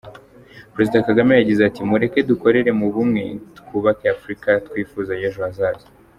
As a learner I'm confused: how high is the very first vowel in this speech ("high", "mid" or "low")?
mid